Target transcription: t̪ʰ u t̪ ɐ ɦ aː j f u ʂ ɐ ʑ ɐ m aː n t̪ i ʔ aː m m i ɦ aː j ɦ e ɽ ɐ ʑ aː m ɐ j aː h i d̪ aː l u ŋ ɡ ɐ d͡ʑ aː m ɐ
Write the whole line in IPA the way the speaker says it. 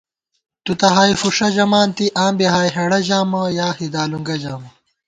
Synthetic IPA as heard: t̪ u t̪ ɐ ɦ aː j f u ʂ ɐ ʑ ɐ m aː n t̪ i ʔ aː m b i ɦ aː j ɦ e ɽ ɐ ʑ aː m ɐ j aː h i d̪ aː l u ŋ ɡ ɐ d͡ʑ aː m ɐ